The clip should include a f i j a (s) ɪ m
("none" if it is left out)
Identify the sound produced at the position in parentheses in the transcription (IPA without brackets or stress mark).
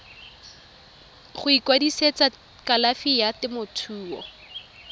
t